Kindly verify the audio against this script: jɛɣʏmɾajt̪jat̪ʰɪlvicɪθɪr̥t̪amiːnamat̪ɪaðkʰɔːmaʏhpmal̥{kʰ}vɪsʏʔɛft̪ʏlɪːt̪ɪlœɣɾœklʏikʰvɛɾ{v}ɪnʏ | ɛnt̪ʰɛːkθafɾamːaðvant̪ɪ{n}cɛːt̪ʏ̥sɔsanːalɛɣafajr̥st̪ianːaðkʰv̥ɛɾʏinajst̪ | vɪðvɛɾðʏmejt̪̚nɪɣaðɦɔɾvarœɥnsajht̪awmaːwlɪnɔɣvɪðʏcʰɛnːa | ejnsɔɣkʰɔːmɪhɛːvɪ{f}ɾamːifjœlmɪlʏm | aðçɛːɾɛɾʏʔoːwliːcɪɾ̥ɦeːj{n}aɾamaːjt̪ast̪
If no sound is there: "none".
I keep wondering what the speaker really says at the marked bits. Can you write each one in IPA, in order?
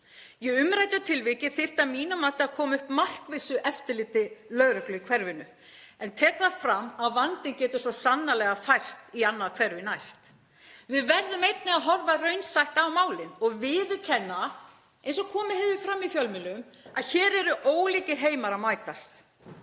k, v, n, f, m

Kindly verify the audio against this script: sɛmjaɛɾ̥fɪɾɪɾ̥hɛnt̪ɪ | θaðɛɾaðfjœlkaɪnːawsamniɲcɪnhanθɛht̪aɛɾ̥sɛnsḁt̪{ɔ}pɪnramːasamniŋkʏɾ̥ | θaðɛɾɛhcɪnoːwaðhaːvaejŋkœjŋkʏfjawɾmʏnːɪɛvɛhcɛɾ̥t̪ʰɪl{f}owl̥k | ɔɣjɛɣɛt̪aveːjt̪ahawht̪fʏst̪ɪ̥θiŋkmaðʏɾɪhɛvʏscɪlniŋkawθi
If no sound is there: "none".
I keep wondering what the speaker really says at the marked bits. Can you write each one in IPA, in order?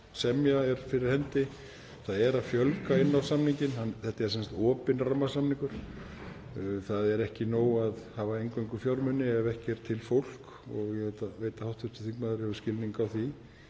ɔː, f

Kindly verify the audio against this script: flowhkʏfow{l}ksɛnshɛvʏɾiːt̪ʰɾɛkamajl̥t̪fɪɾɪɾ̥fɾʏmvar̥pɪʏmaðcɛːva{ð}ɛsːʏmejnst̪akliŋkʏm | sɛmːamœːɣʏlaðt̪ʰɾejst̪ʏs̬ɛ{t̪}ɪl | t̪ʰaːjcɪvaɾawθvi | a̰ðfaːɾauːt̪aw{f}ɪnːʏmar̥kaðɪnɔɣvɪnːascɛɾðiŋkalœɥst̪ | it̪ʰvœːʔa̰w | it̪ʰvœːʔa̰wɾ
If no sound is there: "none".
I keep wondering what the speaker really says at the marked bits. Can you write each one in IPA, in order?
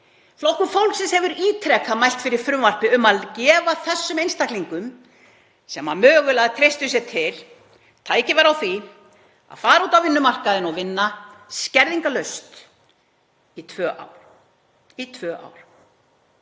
l, θ, t̪ʰ, v

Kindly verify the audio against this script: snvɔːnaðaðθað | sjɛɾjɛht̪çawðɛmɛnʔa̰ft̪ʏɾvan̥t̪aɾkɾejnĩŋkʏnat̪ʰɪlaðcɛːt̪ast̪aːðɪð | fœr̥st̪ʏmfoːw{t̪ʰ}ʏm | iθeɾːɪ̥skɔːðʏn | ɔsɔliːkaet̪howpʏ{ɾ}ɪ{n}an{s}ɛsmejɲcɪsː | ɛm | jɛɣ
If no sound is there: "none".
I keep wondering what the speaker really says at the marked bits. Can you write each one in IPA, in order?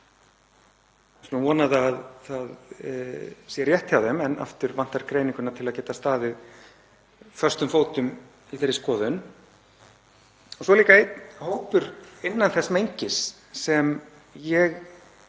t̪, ɾ, nː, θ

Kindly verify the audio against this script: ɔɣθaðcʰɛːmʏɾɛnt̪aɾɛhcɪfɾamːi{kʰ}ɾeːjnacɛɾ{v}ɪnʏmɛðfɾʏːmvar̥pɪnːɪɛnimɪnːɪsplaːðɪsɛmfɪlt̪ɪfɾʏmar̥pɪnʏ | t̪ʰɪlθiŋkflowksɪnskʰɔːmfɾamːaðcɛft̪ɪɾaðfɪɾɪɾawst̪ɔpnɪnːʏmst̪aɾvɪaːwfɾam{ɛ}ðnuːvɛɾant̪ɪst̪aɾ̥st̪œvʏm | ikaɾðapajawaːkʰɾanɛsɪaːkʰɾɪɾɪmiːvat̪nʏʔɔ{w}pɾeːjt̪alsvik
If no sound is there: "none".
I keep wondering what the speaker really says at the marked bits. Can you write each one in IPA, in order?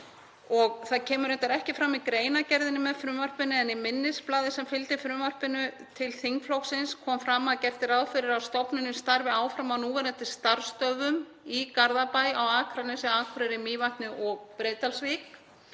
k, ð, a, ɣ

